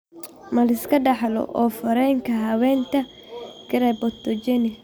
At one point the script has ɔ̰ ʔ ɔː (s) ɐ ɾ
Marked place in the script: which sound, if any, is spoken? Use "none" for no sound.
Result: f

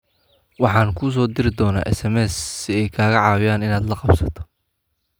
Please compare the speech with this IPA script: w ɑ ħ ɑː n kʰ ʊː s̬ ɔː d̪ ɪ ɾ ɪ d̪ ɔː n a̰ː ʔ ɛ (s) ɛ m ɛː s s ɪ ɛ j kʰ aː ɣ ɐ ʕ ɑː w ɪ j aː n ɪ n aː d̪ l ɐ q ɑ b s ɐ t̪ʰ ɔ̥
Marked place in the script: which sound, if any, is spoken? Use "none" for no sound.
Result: s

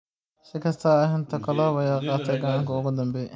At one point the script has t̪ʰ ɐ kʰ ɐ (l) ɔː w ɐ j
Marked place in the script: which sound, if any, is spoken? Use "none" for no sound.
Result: l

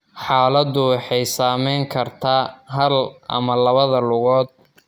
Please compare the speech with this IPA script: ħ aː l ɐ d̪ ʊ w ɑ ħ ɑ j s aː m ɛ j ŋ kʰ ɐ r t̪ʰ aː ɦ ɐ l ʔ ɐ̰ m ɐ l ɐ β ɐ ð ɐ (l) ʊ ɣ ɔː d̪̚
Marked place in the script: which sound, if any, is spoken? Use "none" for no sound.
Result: l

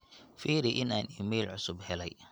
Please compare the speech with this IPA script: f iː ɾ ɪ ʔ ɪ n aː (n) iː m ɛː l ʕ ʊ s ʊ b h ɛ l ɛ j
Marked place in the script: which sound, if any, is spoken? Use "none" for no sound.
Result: n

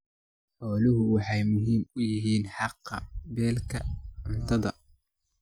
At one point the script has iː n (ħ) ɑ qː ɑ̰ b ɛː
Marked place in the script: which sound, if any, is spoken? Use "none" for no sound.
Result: ħ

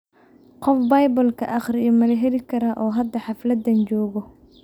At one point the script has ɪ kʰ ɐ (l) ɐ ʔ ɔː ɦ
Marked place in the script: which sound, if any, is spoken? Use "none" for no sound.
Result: ɾ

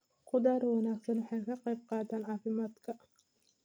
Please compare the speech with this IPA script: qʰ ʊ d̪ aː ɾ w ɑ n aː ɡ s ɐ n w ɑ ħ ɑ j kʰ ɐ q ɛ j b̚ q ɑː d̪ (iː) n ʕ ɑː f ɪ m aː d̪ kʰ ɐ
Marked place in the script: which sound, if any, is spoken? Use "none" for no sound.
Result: aː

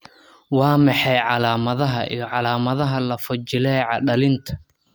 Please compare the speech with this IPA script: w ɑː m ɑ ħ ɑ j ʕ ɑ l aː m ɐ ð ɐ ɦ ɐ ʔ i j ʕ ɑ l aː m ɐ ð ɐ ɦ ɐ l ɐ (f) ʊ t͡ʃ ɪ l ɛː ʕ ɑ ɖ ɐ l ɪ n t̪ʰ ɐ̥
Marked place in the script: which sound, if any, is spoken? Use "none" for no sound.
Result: f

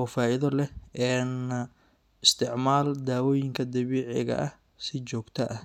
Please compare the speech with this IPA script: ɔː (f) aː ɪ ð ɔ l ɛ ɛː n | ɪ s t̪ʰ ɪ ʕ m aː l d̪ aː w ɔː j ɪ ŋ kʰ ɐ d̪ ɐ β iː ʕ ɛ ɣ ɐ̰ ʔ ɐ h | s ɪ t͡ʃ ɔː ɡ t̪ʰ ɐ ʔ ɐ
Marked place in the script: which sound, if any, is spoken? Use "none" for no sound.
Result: f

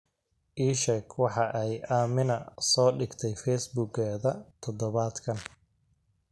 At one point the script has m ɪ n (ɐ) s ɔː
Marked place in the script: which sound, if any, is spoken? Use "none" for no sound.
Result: ɐ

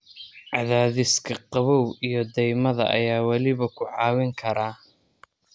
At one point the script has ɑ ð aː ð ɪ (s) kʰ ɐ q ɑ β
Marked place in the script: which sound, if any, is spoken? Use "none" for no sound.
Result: s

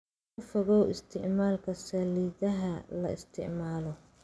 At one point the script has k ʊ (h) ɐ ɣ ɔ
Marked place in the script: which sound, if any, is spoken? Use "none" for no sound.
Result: f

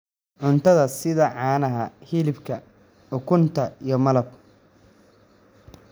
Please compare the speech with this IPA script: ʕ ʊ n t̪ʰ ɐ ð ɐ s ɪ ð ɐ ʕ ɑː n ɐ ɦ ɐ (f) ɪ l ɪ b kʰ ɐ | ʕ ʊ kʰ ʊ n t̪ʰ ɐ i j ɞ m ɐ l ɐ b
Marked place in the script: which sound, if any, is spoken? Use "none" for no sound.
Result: h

